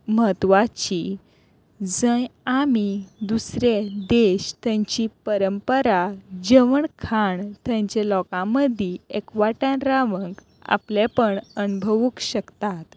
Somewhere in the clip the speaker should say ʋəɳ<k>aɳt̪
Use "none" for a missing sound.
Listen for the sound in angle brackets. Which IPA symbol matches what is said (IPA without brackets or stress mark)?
kʰ